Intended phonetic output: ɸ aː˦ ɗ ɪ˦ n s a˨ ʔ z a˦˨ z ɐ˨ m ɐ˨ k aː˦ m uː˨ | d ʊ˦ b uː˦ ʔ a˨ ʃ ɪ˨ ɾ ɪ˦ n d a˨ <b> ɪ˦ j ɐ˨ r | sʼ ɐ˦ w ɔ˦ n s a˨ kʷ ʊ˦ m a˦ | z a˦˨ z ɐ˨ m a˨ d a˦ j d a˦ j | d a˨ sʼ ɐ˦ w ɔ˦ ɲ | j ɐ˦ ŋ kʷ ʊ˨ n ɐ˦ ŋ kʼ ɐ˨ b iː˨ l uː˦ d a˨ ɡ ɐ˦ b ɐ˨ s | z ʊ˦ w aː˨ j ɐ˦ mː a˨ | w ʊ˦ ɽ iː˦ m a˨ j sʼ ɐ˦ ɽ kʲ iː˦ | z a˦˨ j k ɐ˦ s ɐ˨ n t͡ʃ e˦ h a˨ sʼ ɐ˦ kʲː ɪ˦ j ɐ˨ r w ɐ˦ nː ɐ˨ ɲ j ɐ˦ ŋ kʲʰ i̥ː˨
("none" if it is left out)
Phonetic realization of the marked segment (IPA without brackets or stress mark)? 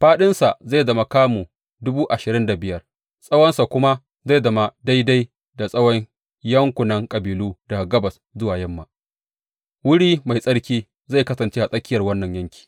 b